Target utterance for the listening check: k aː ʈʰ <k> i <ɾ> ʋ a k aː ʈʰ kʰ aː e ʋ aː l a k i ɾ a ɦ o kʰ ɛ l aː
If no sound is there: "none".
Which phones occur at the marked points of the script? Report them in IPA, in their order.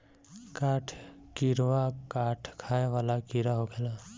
k, ɾ

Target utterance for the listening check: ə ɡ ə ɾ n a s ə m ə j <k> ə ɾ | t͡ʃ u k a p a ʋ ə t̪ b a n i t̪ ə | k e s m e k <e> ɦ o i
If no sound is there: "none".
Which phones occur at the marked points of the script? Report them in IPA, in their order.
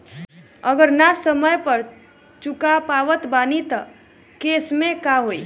p, a

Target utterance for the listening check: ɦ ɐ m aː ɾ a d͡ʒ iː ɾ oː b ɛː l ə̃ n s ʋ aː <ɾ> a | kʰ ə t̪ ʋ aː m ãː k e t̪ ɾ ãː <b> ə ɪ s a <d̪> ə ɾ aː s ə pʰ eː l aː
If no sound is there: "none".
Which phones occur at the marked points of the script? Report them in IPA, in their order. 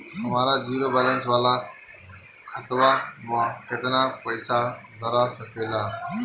l, p, d̪

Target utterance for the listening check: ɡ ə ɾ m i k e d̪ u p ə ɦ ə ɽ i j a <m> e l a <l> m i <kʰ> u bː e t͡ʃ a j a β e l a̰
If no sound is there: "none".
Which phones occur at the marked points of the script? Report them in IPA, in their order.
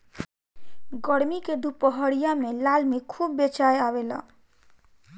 m, l, kʰ

